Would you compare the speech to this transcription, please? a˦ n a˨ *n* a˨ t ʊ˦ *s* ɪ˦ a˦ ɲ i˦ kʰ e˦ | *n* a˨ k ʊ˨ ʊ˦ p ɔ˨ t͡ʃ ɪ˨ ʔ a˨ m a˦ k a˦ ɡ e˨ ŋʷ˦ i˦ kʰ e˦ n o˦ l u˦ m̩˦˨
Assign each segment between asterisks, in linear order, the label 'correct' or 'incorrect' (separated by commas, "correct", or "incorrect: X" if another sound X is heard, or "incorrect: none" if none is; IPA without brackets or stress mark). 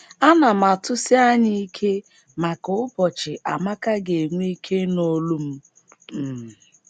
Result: incorrect: m, correct, incorrect: m